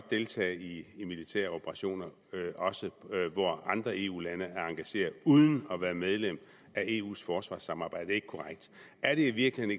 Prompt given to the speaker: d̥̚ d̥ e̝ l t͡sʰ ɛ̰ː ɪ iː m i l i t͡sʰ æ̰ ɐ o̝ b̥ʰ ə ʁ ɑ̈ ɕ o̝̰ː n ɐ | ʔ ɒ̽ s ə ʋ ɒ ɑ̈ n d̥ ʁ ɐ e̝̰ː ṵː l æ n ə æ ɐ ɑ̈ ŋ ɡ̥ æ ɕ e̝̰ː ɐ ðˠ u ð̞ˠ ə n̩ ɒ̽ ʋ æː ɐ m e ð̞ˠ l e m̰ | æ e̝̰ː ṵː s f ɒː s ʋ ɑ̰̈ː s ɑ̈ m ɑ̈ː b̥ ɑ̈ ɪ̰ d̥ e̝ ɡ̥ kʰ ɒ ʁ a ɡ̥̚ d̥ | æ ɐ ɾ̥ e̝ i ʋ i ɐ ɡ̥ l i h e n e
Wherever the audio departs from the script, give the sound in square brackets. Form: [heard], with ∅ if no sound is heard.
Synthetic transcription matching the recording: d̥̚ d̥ e̝ l t͡sʰ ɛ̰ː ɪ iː m i l i t͡sʰ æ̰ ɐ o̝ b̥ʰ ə ʁ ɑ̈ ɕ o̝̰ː n ɐ | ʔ ɒ̽ s ə ʋ ɒ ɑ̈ n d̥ ʁ ɐ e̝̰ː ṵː l æ n ə æ ɐ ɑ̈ ŋ ɡ̥ æ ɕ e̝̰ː ɐ ðˠ u ð̞ˠ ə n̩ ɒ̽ ʋ æː ɐ m e ð̞ˠ l e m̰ | æ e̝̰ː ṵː s f ɒː s ʋ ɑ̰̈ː s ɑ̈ m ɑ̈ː b̥ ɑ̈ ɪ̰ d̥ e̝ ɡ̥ kʰ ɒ ʁ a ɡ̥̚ d̥ | æ ɐ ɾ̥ e̝ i ʋ i ɐ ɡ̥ l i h e n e